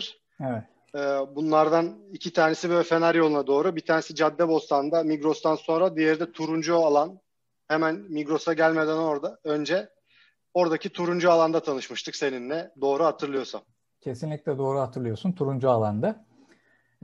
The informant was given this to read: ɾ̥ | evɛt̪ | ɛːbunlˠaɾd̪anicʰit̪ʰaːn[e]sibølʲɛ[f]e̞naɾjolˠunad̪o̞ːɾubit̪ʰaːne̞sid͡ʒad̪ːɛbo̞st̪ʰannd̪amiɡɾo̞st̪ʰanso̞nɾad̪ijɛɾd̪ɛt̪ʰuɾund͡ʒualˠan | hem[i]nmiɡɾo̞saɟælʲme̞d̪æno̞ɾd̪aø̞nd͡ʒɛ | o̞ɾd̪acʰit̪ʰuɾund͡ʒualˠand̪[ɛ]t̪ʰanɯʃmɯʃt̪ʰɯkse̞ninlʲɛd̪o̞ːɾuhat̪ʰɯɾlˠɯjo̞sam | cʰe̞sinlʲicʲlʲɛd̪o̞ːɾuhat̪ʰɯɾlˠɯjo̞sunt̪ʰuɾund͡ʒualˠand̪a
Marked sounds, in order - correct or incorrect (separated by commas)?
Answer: correct, correct, incorrect, incorrect